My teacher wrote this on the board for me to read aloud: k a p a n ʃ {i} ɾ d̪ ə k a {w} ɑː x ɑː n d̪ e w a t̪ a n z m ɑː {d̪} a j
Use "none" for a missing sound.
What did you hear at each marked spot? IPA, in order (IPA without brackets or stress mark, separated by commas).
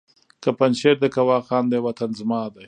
e, w, d̪